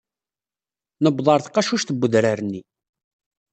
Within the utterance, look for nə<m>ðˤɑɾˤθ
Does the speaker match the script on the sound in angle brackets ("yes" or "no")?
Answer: no